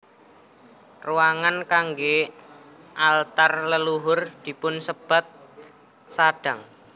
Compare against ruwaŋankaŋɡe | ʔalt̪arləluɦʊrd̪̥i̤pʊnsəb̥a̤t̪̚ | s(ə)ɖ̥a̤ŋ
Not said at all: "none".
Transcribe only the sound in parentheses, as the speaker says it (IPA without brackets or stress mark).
a